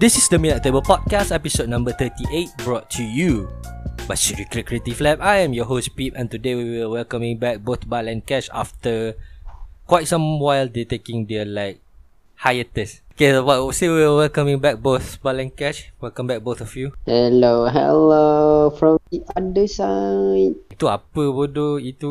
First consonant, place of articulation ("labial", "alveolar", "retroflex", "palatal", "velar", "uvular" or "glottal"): alveolar